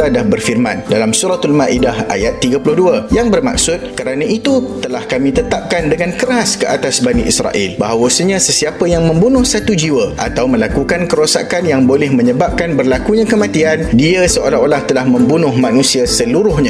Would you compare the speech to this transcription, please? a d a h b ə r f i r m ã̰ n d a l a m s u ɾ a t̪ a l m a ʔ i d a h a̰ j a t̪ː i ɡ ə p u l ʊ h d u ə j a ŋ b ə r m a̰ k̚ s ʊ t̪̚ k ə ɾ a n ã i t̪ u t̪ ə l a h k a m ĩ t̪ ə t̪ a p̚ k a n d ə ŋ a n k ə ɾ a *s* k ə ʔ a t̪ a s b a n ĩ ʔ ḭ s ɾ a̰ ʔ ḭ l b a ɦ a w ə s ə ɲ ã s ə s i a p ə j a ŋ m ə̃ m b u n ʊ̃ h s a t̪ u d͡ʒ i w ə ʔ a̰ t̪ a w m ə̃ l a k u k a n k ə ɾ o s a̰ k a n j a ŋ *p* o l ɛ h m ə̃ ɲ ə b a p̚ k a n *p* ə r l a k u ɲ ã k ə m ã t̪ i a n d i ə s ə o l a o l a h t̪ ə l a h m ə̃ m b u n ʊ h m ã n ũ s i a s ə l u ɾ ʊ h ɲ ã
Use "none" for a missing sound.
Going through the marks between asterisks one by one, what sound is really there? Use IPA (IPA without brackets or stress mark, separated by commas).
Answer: s, b, b